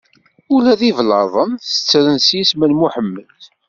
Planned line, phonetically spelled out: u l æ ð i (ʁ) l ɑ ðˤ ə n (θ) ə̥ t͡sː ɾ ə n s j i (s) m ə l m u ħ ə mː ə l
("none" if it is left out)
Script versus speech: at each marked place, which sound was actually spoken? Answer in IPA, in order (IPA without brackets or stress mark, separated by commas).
v, θ, s